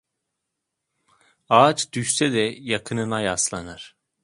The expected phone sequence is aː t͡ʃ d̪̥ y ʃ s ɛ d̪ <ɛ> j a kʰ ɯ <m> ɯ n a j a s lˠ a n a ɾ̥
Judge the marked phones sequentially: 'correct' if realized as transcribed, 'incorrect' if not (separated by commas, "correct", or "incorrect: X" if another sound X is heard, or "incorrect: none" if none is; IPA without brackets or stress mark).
correct, incorrect: n